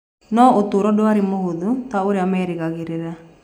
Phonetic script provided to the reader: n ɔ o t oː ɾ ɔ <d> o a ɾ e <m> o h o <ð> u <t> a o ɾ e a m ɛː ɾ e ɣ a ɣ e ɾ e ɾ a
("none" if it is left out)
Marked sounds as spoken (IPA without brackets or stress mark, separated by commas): d, m, ð, t